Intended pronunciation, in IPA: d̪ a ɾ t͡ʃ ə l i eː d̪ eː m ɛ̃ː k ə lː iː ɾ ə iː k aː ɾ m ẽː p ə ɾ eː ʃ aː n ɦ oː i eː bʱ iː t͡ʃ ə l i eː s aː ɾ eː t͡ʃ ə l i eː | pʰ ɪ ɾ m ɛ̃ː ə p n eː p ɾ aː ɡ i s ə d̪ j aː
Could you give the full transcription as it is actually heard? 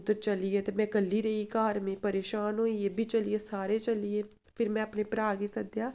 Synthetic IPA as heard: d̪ ə ɾ t͡ʃ ə l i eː t̪ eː m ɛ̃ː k ə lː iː ɾ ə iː k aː ɾ m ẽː p ə ɾ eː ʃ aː n ɦ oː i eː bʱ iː t͡ʃ ə l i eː s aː ɾ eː t͡ʃ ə l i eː | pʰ ɪ ɾ m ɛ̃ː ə p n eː p ɾ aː ɡ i s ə d̪ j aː